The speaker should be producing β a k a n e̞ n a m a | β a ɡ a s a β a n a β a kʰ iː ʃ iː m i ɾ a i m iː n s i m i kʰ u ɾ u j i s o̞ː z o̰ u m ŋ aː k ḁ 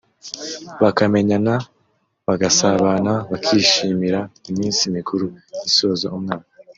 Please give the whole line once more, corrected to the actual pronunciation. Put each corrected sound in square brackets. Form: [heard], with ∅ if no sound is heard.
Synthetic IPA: β a k a [m] e̞ [ɲ] a [n] a | β a ɡ a s a β a n a β a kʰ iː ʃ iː m i ɾ a i m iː n s i m i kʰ u ɾ u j i s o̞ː z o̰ u m ŋ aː k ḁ

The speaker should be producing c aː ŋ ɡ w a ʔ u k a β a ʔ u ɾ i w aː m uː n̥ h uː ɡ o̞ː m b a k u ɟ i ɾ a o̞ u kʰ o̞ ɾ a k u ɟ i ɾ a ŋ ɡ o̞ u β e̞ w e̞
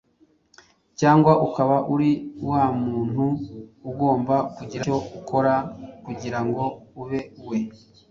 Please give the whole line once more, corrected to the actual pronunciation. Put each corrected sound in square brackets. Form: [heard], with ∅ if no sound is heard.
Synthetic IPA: c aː ŋ ɡ w a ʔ u k a β a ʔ u ɾ i w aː m uː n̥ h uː ɡ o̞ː m b a k u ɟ i ɾ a o̞ u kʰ o̞ ɾ a k u ɟ i ɾ a ŋ ɡ o̞ u β e̞ w e̞

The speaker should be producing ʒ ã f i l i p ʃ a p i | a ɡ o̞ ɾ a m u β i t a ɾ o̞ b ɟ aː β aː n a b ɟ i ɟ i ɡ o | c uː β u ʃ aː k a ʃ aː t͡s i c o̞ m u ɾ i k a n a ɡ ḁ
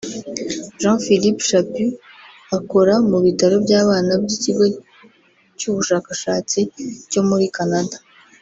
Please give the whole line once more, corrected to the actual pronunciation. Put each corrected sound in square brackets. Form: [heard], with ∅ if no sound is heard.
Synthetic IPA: ʒ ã f i l i p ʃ a p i | a [k] o̞ ɾ a m u β i t a ɾ o̞ b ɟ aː β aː n a b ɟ i [c] i ɡ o | c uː β u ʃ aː k a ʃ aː t͡s i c o̞ m u ɾ i k a n a [d] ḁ

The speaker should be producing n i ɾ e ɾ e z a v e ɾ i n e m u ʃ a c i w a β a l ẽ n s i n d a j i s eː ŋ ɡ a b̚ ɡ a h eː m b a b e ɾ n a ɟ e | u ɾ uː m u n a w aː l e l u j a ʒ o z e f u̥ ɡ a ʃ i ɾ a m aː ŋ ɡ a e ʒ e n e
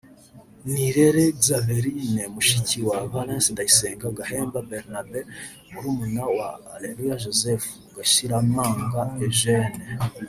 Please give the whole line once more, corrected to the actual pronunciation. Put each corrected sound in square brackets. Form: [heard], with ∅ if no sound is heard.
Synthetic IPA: n i ɾ e ɾ e z a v e ɾ i n e m u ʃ [i] c i w a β a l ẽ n s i n d a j i s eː ŋ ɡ a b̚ ɡ a h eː m b a b e ɾ n a [b] e | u ɾ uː m u n a w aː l e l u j a ʒ o z e f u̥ ɡ a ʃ i ɾ a m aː ŋ ɡ a e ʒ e n e

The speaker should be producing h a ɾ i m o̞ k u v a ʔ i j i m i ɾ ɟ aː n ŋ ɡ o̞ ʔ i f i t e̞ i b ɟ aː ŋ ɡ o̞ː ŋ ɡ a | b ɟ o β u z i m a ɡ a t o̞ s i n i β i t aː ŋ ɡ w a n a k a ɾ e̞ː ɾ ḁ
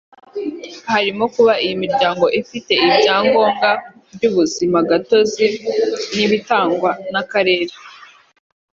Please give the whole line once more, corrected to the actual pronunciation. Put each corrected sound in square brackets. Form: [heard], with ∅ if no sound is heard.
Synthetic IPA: h a ɾ i m o̞ k u [β] a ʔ i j i m i ɾ ɟ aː [∅] ŋ ɡ o̞ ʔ i f i t e̞ i b ɟ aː ŋ ɡ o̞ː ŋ ɡ a | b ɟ [u] β u z i m a ɡ a t o̞ [z] i n i β i t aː ŋ ɡ w a n a k a ɾ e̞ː ɾ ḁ

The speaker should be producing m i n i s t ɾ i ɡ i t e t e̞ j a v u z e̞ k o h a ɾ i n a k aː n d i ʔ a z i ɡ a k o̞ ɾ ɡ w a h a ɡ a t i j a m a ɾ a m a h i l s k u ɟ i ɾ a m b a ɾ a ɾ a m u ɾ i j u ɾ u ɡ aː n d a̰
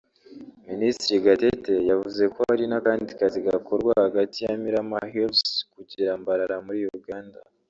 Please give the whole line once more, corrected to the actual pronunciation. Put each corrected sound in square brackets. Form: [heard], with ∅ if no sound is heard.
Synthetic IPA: m i n i s t ɾ i ɡ [a] t e t e̞ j a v u z e̞ k o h a ɾ i n a k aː n d i [k] a z i ɡ a k o̞ ɾ ɡ w a h a ɡ a t i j a m [i] ɾ a m a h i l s k u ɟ i ɾ a m b a ɾ a ɾ a m u ɾ i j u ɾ u ɡ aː n d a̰

